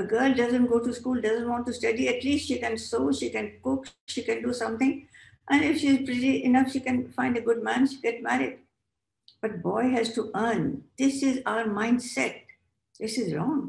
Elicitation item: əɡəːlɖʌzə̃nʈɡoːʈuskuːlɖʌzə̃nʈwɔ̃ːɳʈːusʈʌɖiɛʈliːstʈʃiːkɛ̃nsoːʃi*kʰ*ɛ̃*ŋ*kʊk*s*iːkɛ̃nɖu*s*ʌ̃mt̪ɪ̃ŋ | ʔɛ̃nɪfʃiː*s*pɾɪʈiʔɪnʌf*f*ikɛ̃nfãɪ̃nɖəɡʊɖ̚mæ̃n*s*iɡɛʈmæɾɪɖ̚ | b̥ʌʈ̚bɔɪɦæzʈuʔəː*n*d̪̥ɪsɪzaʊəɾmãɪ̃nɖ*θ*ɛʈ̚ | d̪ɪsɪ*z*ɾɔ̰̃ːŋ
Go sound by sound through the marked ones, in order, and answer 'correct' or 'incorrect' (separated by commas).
incorrect, incorrect, incorrect, correct, incorrect, incorrect, incorrect, correct, incorrect, correct